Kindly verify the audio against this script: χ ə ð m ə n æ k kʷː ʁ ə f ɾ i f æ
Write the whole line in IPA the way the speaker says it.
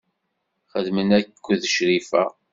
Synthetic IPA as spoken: χ ə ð m ə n æ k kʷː ð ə ʃ ɾ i f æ